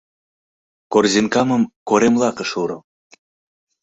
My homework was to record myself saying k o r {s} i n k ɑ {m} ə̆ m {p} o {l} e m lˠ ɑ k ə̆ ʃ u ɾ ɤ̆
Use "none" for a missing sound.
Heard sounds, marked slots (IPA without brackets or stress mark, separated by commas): z, m, k, ɾ